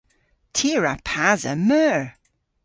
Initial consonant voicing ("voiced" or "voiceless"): voiceless